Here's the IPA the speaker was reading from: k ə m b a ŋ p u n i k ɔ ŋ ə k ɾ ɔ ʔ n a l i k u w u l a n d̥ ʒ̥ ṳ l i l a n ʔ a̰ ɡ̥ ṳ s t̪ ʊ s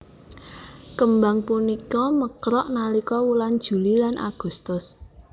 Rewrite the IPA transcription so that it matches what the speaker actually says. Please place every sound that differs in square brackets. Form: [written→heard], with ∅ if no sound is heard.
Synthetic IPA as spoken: k ə m b a ŋ p u n i k ɔ [ŋ→m] ə k ɾ ɔ ʔ n a l i k [u→ɔ] w u l a n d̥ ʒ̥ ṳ l i l a n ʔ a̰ ɡ̥ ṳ s t̪ ʊ s